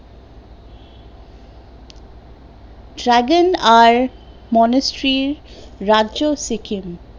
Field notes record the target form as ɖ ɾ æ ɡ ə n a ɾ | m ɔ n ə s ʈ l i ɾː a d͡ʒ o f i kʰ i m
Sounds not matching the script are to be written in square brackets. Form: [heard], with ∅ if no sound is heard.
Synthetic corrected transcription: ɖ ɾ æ ɡ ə n a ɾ | m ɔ n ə s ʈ [ɾ] i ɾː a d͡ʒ o [s] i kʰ i m